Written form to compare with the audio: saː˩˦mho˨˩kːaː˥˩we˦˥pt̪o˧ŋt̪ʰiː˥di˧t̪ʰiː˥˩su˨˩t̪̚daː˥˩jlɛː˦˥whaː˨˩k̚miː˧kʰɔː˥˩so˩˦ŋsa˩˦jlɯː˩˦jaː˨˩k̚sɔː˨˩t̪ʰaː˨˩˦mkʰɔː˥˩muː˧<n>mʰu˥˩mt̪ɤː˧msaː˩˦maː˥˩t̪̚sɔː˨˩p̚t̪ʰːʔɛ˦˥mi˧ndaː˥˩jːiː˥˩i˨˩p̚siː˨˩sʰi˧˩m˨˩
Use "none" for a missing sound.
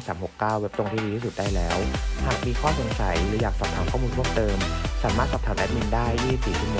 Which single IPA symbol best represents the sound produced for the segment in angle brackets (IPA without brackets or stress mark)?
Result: n